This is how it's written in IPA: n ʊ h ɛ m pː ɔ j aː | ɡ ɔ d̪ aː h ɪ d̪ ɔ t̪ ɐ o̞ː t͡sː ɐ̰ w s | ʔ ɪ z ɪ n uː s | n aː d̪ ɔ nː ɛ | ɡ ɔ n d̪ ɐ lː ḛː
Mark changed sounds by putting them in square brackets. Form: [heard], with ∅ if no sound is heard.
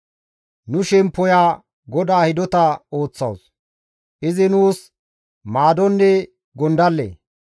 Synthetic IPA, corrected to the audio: n ʊ [ʃ] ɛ m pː ɔ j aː | ɡ ɔ d̪ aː h ɪ d̪ ɔ t̪ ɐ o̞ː t͡sː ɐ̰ w s | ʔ ɪ z ɪ n uː s | [m] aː d̪ ɔ nː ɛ | ɡ ɔ n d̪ ɐ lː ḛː